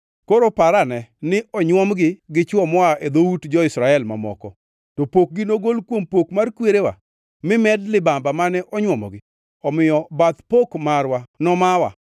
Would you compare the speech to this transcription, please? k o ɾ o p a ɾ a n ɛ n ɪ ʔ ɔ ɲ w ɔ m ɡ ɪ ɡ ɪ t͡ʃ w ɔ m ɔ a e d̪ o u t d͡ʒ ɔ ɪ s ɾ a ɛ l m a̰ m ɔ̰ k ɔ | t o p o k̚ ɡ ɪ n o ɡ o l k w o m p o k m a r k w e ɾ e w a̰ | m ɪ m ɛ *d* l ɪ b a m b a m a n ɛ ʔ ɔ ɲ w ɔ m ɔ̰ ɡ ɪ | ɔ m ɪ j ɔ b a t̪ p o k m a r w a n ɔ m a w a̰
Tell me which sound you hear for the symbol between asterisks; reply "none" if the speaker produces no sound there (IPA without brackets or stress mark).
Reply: d